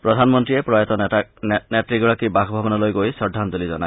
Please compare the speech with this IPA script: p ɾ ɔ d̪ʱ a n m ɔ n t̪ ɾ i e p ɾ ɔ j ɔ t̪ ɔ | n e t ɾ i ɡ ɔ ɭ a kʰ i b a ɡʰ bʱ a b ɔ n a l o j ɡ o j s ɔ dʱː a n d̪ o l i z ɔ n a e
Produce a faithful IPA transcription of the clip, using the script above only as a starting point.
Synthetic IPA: p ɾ ɔ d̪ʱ a n m ɔ n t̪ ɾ i e p ɾ ɔ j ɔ t̪ ɔ | n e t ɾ i ɡ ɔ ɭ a k i b a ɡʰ bʱ a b ɔ n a l o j ɡ o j s ɔ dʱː a n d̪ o l i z ɔ n a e